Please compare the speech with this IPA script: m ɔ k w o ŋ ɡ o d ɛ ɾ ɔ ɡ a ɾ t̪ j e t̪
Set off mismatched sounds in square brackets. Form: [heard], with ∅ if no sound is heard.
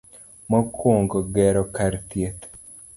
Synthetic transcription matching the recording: m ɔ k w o ŋ ɡ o [ɡ] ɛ ɾ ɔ [k] a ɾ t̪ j e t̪